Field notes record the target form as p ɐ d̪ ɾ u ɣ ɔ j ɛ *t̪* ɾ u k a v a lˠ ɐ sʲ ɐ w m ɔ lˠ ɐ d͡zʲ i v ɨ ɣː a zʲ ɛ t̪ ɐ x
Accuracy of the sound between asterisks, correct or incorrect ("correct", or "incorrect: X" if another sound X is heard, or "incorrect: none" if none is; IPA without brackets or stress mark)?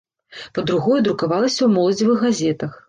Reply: incorrect: d̪